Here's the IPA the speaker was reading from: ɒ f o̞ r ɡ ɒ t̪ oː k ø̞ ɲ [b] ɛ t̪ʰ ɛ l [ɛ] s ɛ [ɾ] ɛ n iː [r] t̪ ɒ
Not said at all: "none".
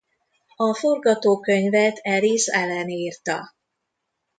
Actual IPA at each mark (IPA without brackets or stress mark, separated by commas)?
v, i, l, r